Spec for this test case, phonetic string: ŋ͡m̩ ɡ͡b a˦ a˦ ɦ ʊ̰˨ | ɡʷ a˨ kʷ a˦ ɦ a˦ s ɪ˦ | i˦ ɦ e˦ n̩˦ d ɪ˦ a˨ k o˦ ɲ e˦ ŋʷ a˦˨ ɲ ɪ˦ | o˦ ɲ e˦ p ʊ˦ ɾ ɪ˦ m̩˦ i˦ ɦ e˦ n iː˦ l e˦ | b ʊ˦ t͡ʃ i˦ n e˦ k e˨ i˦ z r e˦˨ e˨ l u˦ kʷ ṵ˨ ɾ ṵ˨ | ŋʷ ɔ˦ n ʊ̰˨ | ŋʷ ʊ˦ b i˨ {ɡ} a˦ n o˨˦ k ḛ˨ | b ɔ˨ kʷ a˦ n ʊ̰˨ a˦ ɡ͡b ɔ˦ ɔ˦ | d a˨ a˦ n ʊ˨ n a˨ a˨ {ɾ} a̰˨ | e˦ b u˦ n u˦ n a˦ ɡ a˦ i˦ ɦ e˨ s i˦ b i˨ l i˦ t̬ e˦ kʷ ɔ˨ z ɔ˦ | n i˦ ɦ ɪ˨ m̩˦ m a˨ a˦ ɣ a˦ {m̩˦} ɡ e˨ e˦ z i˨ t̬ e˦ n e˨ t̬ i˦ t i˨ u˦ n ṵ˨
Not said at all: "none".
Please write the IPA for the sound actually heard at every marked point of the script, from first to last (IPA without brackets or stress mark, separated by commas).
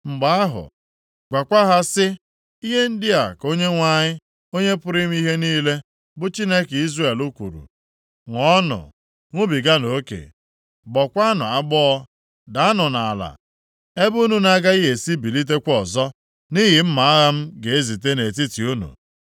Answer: ɡ, l, m̩˦